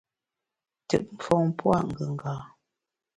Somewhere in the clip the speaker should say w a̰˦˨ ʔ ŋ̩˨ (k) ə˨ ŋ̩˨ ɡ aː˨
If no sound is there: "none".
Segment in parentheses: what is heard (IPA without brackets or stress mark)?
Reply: ɡ